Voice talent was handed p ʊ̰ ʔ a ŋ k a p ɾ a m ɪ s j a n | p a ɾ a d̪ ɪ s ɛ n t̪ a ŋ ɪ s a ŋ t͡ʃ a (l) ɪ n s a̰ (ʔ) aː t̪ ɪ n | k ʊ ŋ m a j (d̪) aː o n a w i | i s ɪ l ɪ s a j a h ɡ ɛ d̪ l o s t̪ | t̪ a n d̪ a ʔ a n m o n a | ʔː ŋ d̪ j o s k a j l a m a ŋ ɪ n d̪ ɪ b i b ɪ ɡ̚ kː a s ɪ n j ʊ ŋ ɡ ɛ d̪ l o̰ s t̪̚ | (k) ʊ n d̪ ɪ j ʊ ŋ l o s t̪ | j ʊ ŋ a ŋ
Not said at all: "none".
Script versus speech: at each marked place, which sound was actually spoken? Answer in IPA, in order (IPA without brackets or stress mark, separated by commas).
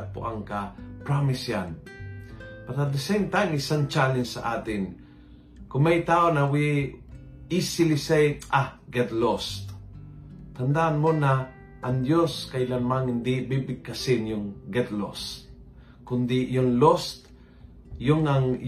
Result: l, ʔ, t̪, k